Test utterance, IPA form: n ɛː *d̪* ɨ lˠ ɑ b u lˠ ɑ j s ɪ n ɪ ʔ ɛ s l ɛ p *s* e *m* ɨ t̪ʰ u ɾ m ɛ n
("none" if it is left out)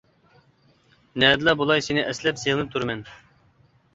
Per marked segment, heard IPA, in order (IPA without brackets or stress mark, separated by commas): d̪, s, n